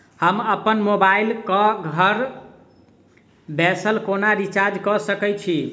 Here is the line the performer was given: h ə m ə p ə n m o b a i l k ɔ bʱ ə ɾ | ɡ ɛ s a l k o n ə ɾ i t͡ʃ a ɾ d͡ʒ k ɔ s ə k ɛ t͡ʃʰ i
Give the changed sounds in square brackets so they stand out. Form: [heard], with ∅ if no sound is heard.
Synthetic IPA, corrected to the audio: h ə m ə p ə n m o b a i l k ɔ [ɡʱ] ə ɾ | [b] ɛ s [ə] l k o n [a] ɾ i t͡ʃ a ɾ d͡ʒ k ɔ s ə k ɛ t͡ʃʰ i